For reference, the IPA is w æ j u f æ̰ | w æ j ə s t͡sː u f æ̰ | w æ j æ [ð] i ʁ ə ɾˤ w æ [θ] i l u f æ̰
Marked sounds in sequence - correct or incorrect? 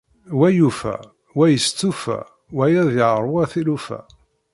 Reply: correct, correct

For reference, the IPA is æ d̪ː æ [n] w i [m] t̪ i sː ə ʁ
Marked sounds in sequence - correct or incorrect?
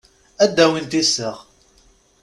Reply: incorrect: none, incorrect: n

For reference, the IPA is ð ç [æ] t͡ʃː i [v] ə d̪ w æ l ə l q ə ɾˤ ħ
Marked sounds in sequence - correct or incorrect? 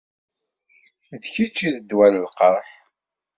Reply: incorrect: i, incorrect: ð

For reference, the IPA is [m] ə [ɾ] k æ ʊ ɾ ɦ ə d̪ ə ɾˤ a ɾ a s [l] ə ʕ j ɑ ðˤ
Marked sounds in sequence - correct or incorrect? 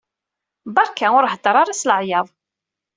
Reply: incorrect: b, correct, correct

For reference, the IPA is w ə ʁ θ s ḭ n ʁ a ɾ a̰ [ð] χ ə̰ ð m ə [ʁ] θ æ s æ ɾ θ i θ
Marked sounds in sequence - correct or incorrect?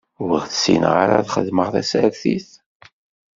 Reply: correct, correct

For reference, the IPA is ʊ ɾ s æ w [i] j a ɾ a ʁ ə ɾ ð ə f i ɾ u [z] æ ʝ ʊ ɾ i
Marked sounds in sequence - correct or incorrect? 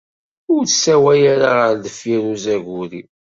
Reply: incorrect: æ, correct

